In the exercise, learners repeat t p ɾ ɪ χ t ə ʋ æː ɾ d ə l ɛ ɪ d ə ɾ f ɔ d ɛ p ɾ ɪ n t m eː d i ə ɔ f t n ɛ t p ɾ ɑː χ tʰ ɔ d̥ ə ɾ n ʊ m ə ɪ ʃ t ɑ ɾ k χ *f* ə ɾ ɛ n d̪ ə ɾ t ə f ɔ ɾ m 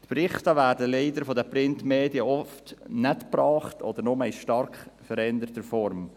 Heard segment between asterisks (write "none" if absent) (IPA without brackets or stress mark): f